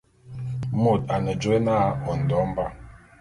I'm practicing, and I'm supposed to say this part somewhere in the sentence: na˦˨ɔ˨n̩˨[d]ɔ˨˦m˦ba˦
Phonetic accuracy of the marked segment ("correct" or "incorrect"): correct